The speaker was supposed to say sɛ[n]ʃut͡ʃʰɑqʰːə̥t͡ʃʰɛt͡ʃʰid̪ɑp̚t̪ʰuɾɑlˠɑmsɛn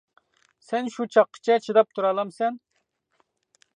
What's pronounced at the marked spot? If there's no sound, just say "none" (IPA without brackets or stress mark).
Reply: n